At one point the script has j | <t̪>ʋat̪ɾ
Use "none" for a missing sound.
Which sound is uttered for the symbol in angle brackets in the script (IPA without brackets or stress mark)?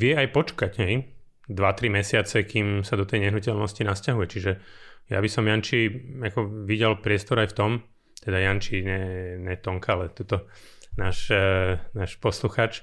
d̪